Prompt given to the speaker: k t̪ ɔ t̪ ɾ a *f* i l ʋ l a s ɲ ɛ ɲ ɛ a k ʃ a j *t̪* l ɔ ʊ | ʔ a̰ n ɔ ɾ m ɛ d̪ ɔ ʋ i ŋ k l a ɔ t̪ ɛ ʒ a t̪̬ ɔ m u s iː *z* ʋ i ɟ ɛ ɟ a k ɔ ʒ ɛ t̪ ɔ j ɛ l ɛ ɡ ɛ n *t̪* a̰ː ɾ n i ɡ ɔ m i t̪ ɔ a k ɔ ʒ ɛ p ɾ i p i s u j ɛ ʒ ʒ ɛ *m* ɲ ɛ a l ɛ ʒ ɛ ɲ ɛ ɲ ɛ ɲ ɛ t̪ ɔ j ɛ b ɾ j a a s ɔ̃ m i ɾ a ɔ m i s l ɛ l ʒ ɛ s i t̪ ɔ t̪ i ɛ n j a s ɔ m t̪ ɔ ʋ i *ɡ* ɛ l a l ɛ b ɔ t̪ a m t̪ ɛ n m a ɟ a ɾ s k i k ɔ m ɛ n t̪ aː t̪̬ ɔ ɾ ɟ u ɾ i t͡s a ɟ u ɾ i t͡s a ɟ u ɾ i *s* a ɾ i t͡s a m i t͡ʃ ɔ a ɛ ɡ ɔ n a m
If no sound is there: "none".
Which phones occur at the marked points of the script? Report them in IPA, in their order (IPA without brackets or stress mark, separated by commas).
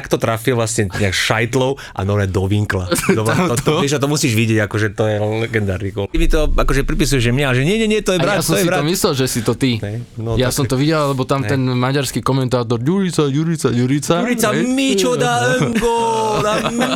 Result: f, t̪, ʒ, d̪, m, ɟ, t͡s